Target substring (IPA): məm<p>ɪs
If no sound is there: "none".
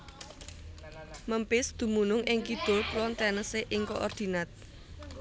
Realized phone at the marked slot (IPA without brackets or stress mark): p